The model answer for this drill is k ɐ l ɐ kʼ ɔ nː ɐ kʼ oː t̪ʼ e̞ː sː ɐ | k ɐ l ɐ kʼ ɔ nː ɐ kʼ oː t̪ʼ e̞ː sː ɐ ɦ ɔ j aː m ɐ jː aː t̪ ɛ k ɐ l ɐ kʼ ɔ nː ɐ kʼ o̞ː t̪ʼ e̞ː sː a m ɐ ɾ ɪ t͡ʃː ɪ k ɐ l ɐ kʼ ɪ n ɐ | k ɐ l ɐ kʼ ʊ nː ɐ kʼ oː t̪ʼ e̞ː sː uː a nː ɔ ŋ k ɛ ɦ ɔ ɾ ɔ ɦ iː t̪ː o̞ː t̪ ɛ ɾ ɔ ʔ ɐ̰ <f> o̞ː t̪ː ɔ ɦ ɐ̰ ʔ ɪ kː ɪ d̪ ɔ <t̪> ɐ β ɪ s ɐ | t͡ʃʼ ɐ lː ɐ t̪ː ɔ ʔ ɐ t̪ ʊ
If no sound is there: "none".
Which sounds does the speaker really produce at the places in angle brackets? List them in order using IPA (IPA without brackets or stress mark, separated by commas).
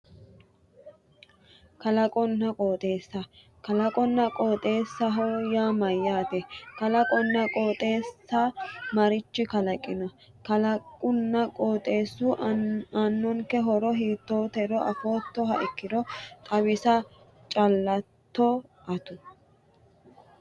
f, t̪ʼ